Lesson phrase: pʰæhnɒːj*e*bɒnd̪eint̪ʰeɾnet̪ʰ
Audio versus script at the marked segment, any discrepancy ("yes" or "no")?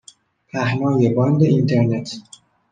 no